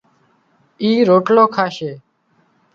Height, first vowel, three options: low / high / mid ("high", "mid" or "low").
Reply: high